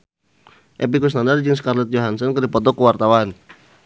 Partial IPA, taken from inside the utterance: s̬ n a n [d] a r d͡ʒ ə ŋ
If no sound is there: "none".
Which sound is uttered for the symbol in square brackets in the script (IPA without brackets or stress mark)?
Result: d